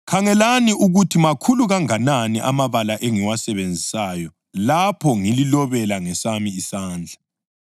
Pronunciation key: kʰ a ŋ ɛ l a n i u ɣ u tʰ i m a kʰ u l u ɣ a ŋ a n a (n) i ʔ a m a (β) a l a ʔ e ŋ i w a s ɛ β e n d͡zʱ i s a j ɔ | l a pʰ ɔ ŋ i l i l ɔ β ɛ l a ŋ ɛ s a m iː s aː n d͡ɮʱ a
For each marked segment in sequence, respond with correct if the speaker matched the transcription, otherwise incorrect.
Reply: correct, correct

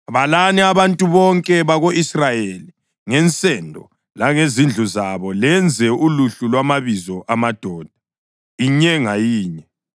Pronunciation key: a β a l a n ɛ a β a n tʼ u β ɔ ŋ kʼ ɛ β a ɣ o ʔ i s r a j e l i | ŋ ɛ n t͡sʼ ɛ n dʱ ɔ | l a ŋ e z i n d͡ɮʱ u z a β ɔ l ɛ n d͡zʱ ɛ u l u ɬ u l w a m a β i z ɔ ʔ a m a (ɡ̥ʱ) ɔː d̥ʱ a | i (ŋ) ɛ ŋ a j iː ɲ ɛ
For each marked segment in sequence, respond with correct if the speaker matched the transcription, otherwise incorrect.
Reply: incorrect: d̥ʱ, incorrect: ɲ

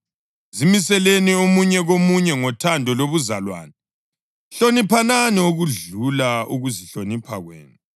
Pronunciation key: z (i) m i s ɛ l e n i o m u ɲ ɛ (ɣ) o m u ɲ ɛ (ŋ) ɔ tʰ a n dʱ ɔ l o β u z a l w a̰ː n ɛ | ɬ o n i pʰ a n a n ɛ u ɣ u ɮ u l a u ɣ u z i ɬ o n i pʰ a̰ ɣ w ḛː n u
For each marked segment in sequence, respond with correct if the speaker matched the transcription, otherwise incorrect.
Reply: correct, correct, correct

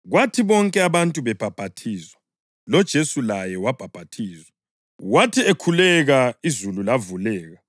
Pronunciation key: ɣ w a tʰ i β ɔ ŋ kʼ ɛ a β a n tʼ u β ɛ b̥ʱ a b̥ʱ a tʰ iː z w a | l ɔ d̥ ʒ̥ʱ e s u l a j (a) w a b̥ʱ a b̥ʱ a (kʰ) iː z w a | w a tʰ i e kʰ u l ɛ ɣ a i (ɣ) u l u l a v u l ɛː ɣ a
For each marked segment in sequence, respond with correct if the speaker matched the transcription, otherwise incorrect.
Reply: incorrect: ɛ, incorrect: tʰ, incorrect: z

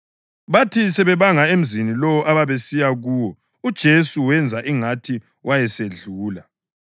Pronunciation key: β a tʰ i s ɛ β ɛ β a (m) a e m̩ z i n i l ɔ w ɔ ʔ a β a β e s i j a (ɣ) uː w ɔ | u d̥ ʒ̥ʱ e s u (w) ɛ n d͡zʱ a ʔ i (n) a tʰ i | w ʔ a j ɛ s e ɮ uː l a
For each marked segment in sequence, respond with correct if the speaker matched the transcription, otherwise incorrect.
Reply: incorrect: ŋ, correct, correct, incorrect: ŋ

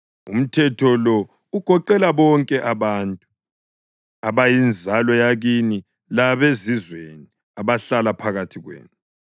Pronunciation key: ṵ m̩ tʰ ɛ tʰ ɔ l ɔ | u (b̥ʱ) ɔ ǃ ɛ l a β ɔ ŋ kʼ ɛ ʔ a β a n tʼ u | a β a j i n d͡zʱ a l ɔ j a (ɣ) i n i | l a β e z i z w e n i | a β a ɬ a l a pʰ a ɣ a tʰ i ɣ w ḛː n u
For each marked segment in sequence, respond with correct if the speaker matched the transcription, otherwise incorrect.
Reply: incorrect: ɡ̥ʱ, correct

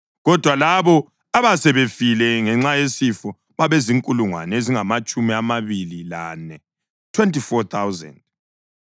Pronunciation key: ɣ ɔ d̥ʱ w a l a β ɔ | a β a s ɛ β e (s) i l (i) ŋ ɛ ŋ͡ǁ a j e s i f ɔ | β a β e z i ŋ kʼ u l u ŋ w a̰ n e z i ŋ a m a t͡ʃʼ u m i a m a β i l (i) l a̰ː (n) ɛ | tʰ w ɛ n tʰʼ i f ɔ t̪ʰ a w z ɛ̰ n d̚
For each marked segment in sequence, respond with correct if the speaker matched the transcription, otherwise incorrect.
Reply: incorrect: f, incorrect: ɛ, correct, correct

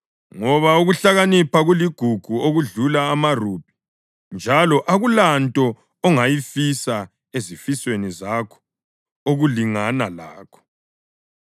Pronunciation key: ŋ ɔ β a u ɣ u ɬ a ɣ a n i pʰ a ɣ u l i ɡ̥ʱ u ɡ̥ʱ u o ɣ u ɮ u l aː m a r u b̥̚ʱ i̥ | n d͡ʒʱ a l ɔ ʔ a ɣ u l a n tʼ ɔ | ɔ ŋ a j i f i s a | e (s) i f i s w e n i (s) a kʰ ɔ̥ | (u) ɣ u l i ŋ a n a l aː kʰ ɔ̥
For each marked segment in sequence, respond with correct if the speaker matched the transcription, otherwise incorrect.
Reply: incorrect: z, incorrect: z, incorrect: o

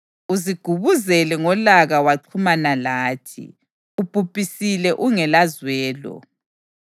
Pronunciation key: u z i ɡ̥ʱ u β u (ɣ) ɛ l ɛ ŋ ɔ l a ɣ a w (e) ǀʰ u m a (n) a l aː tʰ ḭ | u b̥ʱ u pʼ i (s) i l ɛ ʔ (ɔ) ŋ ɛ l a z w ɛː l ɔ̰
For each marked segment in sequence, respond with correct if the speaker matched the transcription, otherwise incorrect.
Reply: incorrect: z, incorrect: a, correct, correct, incorrect: u

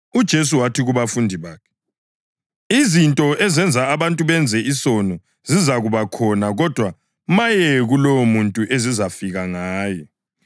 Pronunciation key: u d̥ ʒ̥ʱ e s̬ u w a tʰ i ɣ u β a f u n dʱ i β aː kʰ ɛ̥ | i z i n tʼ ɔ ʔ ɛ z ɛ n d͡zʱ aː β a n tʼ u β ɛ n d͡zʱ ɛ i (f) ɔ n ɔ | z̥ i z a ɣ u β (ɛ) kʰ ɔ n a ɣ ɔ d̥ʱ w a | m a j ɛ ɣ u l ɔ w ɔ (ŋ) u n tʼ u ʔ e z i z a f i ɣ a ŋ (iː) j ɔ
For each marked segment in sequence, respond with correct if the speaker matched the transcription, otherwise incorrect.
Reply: incorrect: s, incorrect: a, incorrect: m, incorrect: aː

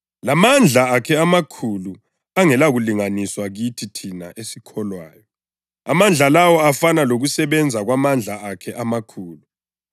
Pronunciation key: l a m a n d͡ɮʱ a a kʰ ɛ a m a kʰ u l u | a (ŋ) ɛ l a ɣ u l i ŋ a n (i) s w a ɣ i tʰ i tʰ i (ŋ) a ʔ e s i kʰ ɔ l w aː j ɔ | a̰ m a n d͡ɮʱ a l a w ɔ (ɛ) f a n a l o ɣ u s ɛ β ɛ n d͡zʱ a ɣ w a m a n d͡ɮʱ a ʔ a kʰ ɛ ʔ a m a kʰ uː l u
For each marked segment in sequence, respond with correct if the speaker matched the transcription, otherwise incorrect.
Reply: correct, correct, incorrect: n, incorrect: a

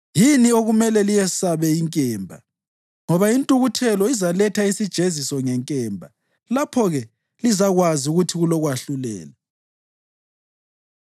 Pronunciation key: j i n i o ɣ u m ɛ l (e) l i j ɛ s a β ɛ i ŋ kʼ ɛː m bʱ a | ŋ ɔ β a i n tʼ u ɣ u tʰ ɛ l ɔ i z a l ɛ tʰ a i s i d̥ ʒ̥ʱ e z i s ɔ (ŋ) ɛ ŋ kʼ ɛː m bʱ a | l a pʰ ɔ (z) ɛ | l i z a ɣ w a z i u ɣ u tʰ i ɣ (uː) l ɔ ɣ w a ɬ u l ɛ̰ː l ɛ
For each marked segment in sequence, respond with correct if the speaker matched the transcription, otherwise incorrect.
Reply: incorrect: ɛ, correct, incorrect: ɣ, incorrect: u

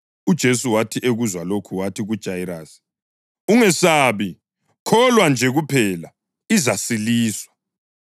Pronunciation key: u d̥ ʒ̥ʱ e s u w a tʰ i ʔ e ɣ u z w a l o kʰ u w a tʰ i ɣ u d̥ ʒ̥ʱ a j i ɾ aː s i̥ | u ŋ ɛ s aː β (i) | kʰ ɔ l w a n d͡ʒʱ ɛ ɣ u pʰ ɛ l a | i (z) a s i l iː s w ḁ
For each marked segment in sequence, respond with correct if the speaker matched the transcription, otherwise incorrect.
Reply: correct, correct

